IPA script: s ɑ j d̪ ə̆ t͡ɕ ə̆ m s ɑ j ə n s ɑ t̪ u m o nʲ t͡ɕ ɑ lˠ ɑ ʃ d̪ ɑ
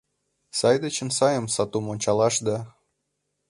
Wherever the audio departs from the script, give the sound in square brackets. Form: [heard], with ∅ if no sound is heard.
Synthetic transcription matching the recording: s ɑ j d̪ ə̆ t͡ɕ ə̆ [n] s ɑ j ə [m] s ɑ t̪ u m o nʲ t͡ɕ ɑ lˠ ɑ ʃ d̪ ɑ